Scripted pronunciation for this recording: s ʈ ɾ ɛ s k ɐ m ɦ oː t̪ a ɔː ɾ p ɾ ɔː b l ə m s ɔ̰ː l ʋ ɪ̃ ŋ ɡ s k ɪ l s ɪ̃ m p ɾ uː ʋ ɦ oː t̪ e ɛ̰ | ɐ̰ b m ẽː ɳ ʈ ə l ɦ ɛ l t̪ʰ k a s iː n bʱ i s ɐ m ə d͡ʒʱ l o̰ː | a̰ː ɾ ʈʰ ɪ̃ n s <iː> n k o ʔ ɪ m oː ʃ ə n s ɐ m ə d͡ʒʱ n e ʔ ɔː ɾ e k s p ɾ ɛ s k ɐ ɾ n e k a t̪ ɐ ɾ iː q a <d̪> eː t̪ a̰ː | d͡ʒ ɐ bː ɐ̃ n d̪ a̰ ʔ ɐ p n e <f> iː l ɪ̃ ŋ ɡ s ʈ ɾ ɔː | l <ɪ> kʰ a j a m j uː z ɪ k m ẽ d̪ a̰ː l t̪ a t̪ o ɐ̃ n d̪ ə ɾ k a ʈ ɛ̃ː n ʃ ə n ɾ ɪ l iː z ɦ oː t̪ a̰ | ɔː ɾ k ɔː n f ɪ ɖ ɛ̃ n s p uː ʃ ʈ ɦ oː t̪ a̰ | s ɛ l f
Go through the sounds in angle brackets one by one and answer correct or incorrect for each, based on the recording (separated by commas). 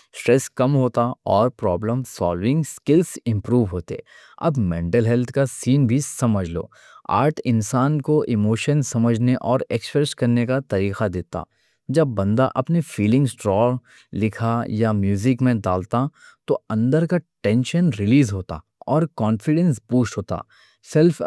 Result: incorrect, correct, correct, correct